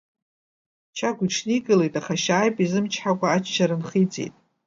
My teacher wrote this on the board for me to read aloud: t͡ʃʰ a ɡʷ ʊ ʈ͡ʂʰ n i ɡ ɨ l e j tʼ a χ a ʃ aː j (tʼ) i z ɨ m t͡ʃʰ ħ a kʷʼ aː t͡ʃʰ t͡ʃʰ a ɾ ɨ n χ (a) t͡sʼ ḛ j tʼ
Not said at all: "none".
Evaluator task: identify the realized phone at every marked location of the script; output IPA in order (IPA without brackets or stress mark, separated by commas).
pʼ, i